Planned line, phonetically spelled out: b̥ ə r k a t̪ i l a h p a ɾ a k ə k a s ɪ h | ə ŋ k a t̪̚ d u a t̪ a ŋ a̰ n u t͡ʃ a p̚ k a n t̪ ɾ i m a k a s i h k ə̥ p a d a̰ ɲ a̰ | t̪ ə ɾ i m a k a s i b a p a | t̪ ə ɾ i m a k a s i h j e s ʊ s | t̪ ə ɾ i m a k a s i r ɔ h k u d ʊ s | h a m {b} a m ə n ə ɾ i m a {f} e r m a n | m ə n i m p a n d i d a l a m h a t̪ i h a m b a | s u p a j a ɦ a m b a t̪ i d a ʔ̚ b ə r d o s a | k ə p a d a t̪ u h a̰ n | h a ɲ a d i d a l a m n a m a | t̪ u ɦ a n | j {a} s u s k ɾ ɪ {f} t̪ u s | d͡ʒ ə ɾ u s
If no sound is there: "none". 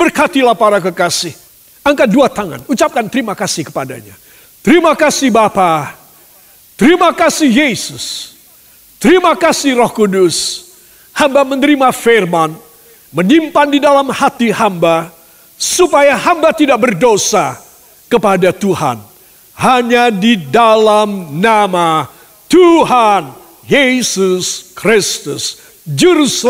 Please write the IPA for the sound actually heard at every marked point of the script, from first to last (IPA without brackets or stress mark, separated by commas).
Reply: b, f, e, s